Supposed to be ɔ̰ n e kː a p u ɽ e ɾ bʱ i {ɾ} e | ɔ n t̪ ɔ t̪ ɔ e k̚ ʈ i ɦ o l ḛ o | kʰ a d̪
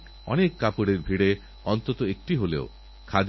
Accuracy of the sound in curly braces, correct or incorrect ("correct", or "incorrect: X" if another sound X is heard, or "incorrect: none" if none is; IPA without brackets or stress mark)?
incorrect: ɽ